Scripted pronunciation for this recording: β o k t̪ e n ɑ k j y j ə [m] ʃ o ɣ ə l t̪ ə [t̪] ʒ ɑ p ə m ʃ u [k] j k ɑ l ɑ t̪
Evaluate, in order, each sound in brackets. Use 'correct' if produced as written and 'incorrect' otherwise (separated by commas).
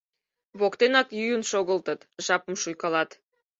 incorrect, correct, incorrect